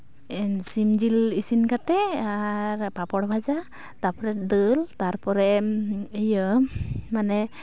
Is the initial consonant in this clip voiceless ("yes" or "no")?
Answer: yes